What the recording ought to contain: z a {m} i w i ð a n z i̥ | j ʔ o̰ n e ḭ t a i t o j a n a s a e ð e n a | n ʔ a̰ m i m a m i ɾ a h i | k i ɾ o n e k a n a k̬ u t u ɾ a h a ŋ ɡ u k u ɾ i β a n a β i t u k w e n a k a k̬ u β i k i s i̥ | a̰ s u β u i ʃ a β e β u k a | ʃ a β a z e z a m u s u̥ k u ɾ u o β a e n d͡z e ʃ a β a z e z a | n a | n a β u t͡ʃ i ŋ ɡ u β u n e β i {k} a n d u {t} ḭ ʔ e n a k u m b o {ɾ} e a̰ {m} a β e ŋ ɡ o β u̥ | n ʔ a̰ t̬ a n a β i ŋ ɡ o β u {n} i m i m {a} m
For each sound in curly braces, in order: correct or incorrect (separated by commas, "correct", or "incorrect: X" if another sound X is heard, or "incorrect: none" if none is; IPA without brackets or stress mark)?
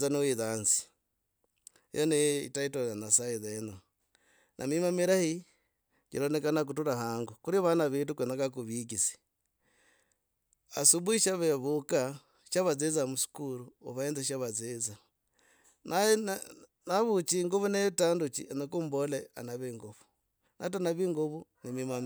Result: incorrect: n, incorrect: t, incorrect: t͡ʃ, incorrect: l, incorrect: n, correct, correct